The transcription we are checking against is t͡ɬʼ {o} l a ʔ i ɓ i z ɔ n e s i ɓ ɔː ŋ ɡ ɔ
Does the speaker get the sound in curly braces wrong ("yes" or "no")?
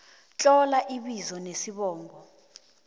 yes